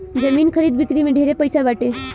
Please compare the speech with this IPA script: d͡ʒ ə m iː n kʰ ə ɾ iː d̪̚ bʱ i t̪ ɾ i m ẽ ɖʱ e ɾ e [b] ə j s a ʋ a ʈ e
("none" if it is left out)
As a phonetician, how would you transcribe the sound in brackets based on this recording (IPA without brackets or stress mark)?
p